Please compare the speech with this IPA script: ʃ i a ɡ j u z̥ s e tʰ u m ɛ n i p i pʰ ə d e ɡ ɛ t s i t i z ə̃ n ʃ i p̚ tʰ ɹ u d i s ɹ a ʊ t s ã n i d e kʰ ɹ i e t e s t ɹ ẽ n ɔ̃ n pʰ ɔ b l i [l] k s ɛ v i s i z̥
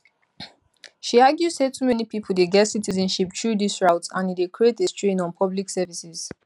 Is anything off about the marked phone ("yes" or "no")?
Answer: yes